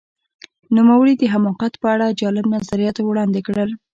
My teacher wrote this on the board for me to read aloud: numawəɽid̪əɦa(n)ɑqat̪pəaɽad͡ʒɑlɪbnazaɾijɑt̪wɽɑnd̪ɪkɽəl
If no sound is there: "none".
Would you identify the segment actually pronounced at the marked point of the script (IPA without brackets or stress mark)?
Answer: m